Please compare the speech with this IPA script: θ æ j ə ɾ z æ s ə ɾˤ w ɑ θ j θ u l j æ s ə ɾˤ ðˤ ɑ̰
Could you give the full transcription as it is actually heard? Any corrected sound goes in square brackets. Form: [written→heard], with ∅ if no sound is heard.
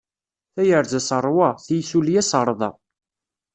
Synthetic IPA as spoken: θ æ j ə ɾ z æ s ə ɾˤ w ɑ θ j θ u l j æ s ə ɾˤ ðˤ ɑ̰